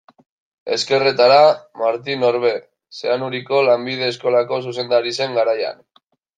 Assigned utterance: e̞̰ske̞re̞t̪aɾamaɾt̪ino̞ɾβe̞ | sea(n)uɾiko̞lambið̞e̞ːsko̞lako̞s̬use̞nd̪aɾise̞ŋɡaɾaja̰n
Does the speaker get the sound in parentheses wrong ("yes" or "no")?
no